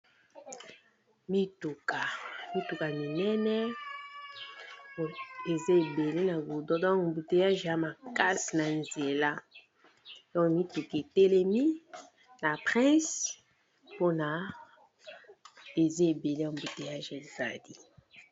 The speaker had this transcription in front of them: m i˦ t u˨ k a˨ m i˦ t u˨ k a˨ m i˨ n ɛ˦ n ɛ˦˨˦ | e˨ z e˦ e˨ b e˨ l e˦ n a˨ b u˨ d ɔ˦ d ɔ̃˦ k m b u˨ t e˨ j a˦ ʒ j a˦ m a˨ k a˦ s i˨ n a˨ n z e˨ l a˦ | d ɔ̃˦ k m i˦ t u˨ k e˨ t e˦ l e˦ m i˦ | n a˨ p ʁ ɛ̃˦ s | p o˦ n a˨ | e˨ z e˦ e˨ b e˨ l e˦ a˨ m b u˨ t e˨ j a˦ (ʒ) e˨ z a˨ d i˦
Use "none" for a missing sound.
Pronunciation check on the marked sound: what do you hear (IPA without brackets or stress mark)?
ʒ